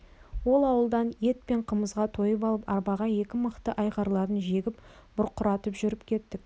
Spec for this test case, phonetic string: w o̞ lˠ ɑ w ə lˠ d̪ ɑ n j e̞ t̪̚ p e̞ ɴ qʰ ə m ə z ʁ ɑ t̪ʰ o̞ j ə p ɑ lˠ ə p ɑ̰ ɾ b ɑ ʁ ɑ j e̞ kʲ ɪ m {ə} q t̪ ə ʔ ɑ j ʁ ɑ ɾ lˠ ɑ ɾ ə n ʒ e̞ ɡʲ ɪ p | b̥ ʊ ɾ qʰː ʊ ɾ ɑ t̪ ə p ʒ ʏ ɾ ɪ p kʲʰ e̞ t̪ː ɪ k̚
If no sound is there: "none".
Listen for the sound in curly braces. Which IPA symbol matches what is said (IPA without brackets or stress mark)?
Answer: ə